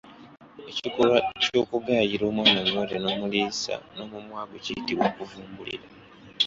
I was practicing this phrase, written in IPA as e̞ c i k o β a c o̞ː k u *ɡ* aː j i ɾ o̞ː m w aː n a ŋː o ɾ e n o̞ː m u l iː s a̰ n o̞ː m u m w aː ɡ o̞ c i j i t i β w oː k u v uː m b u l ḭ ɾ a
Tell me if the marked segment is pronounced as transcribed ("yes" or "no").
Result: yes